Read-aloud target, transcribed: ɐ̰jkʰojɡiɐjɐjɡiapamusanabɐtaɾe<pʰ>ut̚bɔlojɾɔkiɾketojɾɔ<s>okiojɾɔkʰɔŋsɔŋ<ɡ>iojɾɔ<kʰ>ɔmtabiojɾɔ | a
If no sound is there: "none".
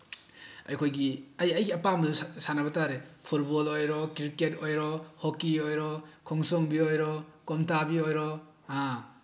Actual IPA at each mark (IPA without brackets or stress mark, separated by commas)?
pʰ, h, b, k